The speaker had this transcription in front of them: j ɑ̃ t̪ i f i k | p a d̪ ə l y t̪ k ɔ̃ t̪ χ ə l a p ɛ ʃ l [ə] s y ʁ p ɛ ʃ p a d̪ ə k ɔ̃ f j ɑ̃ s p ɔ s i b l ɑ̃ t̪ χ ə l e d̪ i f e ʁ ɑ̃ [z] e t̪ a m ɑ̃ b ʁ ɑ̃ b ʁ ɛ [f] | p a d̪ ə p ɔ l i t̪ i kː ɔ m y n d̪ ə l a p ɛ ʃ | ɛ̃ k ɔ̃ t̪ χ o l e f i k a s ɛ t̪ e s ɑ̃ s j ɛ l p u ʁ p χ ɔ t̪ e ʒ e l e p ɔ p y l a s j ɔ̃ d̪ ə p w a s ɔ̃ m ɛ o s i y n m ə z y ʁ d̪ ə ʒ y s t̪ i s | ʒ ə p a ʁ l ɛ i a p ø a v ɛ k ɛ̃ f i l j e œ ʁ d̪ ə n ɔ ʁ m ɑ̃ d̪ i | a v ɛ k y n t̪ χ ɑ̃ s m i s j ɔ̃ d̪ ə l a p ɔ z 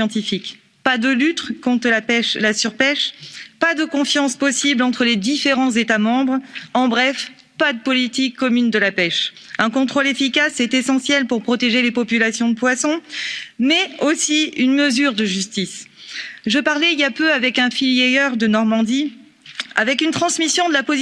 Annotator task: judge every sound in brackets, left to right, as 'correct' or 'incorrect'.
incorrect, correct, correct

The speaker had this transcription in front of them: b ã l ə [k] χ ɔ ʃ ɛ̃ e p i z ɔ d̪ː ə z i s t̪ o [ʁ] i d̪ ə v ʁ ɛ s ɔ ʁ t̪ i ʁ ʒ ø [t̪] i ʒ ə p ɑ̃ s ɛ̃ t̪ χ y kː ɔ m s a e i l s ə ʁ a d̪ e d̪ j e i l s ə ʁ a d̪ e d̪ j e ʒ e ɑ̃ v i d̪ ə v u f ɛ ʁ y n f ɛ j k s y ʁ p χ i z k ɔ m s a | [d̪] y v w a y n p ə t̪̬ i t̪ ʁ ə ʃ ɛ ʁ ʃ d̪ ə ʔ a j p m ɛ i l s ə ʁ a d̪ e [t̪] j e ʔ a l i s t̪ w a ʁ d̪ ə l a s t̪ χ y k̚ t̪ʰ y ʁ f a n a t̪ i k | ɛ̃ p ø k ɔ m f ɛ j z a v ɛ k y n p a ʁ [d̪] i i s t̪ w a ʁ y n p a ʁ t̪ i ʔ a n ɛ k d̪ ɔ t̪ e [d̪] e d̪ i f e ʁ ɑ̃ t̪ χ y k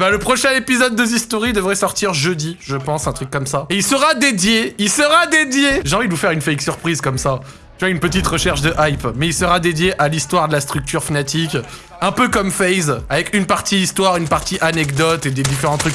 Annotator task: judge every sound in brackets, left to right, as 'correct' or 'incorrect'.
incorrect, correct, incorrect, incorrect, incorrect, incorrect, correct

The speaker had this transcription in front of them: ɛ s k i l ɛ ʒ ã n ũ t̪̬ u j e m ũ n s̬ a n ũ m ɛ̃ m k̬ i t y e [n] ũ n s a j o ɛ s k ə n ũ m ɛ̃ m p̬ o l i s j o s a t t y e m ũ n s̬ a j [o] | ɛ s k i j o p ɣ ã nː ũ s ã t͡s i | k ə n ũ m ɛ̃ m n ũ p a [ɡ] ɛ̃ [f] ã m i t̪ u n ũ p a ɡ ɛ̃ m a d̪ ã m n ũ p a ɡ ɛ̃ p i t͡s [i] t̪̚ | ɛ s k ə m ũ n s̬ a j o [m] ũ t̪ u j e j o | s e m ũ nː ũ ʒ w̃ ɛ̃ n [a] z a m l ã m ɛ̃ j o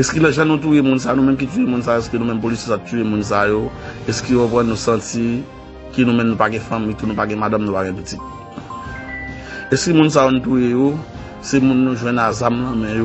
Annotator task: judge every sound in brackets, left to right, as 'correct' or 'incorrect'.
incorrect, correct, correct, correct, correct, incorrect, correct

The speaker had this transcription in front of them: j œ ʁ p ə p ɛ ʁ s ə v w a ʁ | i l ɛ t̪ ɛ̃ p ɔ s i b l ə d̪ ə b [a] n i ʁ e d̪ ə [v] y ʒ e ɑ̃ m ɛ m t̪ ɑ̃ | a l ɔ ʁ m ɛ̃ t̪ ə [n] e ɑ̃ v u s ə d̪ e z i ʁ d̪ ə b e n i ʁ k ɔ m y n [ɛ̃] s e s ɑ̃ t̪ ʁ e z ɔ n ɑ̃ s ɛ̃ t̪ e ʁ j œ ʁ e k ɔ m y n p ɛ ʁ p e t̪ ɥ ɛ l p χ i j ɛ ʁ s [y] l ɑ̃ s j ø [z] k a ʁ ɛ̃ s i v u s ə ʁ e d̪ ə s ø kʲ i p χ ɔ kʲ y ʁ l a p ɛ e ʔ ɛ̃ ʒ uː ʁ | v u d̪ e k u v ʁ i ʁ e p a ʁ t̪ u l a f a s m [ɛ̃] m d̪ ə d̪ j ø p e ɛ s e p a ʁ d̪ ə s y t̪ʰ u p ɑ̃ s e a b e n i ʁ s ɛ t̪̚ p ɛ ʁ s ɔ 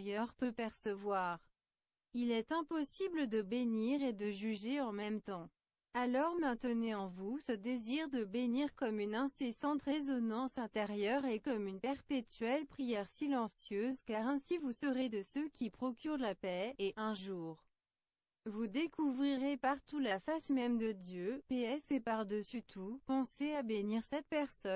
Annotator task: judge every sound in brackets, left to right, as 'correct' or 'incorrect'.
incorrect, incorrect, correct, correct, incorrect, correct, incorrect

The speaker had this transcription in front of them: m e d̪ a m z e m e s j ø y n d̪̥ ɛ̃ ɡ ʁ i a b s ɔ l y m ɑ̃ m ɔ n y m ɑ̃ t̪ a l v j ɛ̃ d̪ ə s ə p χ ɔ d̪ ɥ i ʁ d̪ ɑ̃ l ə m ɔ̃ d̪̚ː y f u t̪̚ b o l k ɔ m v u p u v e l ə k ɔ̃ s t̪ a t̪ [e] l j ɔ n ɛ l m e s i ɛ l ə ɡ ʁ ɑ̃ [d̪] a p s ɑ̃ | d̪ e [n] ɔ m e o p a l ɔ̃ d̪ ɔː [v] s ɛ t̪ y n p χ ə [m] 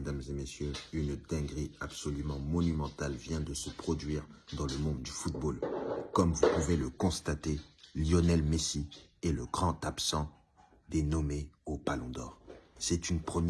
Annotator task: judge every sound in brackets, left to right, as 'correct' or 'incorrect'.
correct, incorrect, correct, incorrect, correct

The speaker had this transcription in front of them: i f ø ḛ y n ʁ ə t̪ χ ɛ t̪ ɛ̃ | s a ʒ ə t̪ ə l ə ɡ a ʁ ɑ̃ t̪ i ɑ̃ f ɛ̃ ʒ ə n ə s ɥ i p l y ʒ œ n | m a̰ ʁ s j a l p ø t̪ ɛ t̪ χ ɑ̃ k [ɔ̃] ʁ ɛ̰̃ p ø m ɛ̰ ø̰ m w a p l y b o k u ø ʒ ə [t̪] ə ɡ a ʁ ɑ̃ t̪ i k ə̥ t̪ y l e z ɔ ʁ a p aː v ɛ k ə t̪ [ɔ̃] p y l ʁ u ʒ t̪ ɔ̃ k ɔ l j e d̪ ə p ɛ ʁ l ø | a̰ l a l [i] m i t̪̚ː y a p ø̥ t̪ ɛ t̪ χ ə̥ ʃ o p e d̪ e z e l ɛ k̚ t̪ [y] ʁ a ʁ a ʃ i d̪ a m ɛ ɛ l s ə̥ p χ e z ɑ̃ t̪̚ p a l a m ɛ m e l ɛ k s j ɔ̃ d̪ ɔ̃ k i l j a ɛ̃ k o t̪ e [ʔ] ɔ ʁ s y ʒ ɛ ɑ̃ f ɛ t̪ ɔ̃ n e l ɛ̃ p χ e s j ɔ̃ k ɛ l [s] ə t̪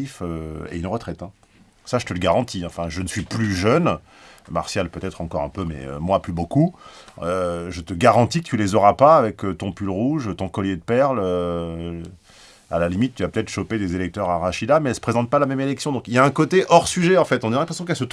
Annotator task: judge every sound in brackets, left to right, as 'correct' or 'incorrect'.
incorrect, correct, correct, correct, incorrect, correct, correct

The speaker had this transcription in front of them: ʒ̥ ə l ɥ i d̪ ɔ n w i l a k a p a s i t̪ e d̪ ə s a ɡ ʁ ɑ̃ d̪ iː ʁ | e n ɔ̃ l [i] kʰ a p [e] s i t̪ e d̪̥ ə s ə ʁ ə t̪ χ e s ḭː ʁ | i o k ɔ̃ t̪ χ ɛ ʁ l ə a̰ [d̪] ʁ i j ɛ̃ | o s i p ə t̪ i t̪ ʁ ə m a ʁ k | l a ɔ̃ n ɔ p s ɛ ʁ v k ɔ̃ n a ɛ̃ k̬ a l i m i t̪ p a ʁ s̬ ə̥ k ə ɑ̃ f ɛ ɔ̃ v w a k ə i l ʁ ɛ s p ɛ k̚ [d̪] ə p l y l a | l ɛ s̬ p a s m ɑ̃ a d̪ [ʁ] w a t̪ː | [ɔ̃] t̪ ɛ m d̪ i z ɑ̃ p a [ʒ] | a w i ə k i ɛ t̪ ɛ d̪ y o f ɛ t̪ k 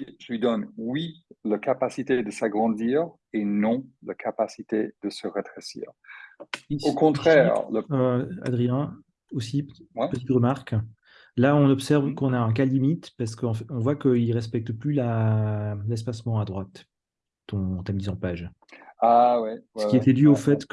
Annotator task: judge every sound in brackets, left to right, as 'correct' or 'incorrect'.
incorrect, incorrect, correct, incorrect, correct, correct, correct

